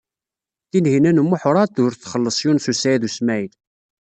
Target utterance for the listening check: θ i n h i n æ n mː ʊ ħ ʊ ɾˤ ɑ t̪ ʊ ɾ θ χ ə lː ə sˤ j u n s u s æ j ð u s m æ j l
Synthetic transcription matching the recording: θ i n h i n æ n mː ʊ ħ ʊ ɾˤ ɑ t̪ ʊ ɾ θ χ ə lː ə sˤ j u n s u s æ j ð u s m æ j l